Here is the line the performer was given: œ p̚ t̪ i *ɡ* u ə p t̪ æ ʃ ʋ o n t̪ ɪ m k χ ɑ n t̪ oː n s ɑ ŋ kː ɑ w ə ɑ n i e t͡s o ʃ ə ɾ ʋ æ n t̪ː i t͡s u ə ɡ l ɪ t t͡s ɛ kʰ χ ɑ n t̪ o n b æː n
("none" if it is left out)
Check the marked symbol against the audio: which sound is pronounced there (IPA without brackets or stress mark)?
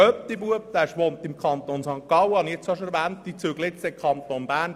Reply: b